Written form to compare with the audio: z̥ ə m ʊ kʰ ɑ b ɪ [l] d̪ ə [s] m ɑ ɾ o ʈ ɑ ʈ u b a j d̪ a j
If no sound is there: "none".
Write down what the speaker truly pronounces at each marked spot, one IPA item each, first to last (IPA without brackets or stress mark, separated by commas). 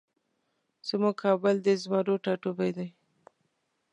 l, z